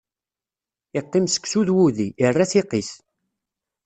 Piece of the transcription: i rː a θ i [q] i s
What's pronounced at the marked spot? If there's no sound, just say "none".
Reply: q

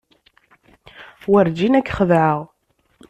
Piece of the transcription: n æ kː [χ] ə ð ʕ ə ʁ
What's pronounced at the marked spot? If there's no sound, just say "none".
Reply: χ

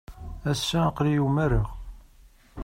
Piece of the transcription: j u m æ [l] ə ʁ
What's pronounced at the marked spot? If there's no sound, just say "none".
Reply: ɾ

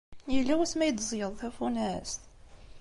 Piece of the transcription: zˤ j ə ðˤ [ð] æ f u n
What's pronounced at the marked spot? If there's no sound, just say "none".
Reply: θ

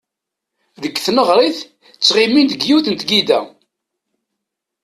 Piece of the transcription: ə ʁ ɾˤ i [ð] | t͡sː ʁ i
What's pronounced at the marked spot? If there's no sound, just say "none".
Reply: θ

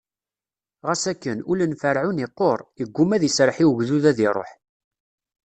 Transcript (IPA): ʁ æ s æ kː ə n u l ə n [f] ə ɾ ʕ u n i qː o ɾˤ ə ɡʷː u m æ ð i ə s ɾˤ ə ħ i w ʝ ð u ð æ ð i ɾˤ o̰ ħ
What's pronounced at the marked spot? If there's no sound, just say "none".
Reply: f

